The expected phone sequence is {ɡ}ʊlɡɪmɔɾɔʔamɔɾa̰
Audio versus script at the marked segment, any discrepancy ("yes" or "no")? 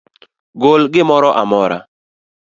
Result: no